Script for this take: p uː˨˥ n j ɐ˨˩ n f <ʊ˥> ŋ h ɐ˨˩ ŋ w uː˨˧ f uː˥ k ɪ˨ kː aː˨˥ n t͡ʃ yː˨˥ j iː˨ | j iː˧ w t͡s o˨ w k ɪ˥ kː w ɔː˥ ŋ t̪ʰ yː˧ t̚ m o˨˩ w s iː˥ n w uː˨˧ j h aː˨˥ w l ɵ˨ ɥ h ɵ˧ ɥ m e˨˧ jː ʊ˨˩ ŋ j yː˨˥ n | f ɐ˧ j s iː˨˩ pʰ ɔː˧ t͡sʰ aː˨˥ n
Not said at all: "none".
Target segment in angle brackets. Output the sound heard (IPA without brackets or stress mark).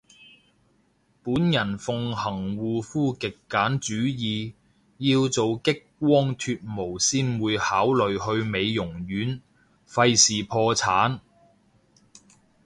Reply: ʊ˨